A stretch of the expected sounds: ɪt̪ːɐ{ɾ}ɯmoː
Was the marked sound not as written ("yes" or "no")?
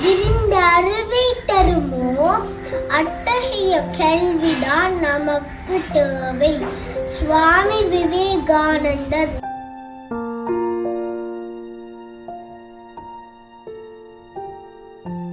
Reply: no